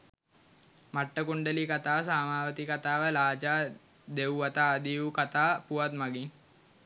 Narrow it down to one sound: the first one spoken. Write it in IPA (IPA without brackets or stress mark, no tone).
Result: m